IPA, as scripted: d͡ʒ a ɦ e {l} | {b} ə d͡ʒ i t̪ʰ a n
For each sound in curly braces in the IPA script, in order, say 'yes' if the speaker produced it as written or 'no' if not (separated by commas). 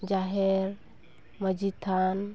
no, no